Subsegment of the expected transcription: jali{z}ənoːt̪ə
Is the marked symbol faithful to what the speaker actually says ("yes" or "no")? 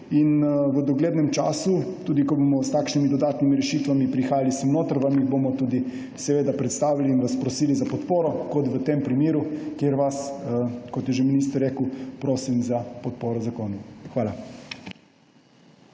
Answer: no